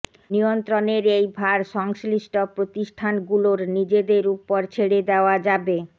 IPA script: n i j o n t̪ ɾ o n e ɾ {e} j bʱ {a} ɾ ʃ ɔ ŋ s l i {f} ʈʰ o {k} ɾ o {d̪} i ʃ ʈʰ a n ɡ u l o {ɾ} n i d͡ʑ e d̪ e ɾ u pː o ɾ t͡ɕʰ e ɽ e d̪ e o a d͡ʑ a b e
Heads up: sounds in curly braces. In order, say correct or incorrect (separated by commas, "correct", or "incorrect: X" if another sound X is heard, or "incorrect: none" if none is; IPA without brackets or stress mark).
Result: correct, correct, incorrect: ʃ, incorrect: p, incorrect: t̪, correct